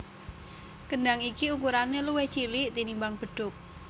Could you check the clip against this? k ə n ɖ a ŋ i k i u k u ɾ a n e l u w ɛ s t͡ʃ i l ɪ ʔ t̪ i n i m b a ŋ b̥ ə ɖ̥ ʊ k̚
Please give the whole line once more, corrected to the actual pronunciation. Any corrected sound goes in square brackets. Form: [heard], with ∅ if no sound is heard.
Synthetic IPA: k ə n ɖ a ŋ i k i u k u ɾ a n e l u w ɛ [h] t͡ʃ i l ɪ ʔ t̪ i n i m b a ŋ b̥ ə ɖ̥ ʊ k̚